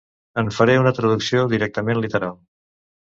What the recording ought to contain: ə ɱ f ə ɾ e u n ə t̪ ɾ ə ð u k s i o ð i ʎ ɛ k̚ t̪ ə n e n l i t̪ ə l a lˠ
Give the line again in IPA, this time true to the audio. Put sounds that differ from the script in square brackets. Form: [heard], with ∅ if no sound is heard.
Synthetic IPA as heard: ə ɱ f ə ɾ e u n ə t̪ ɾ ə ð u k s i o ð i [ɾ] ɛ k̚ t̪ ə [m] e n l i t̪ ə [ɾ] a lˠ